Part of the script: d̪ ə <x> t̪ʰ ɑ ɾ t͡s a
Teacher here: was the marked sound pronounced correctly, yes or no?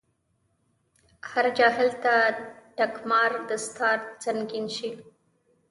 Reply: no